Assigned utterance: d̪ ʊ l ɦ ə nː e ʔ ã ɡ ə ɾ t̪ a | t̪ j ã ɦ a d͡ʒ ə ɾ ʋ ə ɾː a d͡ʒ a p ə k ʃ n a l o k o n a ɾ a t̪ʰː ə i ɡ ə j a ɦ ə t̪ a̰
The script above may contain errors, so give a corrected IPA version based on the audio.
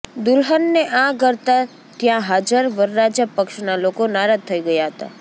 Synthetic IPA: d̪ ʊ l ɦ ə nː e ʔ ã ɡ ə ɾ t̪ a | t̪ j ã ɦ a d͡ʒ ə ɾ ʋ ə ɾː a d͡ʒ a p ə k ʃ n a l o k o n a ɾ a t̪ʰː ə i ɡ ə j a ɦ ə t̪ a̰